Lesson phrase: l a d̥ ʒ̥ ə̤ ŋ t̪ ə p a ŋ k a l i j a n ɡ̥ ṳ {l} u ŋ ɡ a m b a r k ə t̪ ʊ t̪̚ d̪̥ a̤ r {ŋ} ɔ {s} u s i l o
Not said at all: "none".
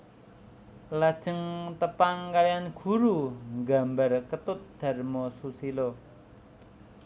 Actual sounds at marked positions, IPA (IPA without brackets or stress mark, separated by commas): ɾ, m, s